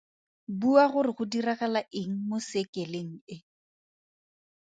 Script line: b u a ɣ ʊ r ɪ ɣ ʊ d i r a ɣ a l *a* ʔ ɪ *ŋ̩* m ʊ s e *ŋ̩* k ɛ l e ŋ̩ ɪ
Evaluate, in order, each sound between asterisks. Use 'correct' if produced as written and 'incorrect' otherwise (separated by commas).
correct, correct, incorrect